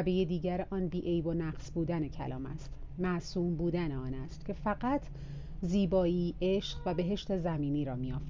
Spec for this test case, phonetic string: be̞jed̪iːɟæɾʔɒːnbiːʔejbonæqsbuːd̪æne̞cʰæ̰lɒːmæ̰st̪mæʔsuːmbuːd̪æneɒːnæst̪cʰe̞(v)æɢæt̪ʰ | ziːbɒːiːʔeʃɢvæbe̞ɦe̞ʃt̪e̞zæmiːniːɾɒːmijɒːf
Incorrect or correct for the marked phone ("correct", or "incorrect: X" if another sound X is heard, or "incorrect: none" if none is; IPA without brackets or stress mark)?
incorrect: f